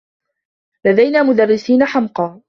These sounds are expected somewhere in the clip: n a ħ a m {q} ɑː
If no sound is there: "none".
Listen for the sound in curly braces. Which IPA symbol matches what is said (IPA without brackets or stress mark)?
q